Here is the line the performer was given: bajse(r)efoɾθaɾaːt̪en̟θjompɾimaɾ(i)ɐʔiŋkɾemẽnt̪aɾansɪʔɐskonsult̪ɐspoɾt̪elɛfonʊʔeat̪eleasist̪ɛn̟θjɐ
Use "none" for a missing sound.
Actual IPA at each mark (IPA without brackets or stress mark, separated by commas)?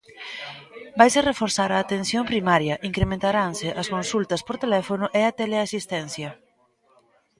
r, j